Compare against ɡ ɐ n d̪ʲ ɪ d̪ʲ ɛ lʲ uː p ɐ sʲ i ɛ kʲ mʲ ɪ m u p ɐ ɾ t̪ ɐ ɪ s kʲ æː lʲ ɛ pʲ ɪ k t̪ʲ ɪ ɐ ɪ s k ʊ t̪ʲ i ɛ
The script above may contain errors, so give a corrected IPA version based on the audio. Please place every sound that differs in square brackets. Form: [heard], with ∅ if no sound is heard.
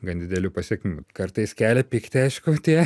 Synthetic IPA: ɡ ɐ n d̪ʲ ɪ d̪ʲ ɛ lʲ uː p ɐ sʲ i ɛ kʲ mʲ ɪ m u [k] ɐ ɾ t̪ ɐ ɪ s kʲ æː lʲ ɛ pʲ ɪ k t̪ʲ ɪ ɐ ɪ [ʃ] k ʊ t̪ʲ i ɛ